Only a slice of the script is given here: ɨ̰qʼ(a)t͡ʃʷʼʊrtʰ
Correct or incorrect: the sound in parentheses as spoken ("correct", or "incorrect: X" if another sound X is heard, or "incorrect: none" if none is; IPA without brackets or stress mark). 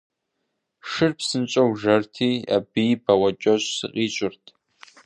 incorrect: i